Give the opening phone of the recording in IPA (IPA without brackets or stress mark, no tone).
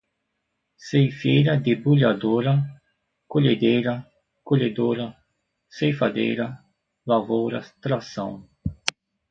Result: s